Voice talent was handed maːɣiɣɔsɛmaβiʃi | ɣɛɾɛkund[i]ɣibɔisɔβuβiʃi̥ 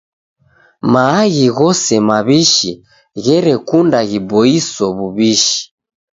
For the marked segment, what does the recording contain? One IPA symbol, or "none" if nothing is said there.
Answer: a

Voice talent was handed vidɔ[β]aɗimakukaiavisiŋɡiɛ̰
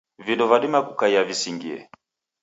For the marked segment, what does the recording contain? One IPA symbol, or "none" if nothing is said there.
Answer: v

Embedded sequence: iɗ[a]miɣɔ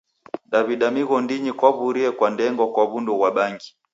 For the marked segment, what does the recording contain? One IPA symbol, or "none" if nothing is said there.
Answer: a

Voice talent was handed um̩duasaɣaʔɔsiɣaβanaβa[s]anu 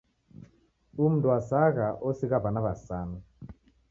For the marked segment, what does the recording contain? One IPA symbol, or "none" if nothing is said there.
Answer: s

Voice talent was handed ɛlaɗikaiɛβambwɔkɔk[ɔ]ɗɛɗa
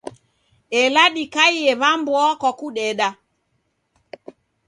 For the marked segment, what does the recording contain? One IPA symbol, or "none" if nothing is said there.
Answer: u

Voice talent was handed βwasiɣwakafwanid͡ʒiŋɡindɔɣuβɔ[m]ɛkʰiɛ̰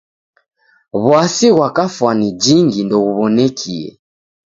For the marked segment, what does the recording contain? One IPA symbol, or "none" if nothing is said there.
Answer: n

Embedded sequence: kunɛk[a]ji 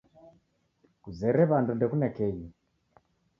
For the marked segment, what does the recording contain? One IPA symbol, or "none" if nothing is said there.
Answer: ɛ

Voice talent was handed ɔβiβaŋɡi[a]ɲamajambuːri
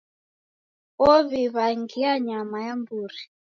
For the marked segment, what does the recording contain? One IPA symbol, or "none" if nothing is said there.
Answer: a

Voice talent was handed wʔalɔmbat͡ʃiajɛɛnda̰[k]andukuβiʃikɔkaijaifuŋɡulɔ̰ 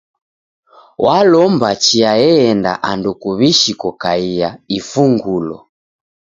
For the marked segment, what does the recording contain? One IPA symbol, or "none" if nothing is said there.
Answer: ʔ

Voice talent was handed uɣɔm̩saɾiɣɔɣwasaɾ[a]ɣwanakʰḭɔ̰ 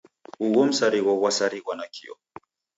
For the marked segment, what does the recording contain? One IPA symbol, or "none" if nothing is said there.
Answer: i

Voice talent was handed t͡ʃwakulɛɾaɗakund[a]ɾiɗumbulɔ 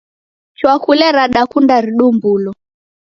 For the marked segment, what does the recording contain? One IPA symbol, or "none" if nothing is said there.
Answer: a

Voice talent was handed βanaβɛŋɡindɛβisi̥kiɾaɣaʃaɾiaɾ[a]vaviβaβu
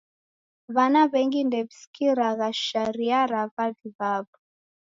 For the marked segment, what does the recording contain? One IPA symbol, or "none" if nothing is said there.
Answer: a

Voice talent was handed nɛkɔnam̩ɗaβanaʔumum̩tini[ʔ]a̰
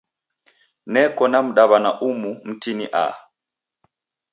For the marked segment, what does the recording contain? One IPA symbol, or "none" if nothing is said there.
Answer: ʔ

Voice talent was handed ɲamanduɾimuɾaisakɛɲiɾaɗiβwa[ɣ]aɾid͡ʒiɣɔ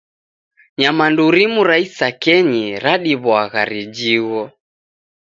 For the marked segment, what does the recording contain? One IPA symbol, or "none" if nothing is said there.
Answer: ɣ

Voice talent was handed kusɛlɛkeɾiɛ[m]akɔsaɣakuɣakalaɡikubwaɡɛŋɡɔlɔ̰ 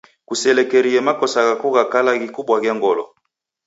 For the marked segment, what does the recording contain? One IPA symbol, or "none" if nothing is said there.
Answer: m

